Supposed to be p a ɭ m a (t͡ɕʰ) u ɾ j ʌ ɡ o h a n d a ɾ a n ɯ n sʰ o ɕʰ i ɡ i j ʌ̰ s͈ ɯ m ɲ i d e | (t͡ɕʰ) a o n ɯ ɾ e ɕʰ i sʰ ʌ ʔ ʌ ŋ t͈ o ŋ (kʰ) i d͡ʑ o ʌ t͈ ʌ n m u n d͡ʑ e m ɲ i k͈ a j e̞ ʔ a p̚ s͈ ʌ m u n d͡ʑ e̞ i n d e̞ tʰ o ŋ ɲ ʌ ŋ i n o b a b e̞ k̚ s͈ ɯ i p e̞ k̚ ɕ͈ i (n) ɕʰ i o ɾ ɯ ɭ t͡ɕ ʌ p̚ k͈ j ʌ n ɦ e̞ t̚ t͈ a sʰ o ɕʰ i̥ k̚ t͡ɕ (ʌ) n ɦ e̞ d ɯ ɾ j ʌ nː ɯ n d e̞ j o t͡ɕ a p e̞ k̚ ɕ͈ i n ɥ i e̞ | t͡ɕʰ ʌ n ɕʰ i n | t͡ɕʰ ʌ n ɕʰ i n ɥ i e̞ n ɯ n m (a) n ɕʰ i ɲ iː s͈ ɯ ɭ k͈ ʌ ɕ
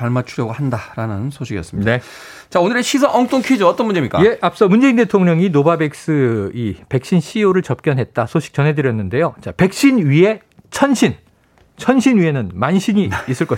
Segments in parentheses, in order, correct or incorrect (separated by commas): correct, incorrect, correct, correct, correct, correct